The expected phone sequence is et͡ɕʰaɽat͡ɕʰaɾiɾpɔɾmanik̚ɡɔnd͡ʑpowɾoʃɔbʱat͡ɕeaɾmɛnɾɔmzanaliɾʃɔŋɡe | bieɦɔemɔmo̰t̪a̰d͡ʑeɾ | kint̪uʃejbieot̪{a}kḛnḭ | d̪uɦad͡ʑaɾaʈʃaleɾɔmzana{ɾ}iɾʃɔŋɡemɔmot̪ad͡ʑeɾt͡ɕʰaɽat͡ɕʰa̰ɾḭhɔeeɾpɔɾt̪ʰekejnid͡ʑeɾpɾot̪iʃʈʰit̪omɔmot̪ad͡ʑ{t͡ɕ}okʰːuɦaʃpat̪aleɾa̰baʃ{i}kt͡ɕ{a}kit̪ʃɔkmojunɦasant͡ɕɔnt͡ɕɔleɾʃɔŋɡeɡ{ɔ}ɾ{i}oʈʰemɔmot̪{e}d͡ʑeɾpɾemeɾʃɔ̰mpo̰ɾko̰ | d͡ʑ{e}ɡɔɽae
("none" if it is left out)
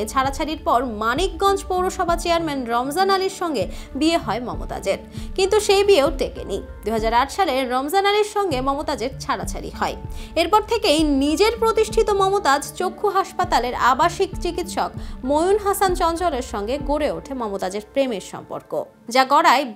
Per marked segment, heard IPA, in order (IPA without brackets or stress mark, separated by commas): e, l, t͡ɕ, i, i, o, e, a, a